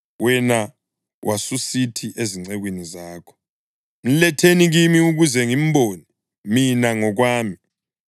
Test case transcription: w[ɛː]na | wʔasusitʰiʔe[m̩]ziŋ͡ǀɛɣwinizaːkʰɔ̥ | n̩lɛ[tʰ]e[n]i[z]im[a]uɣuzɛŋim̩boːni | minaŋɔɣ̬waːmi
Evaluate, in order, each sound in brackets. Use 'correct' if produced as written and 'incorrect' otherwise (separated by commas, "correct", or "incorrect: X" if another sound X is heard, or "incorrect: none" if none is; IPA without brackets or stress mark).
incorrect: ɛ, incorrect: none, correct, correct, incorrect: ɣ, incorrect: i